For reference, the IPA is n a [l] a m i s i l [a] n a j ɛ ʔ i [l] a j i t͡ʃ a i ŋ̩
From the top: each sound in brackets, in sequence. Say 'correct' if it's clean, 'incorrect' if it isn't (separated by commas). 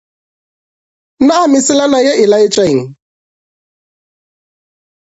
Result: incorrect, correct, correct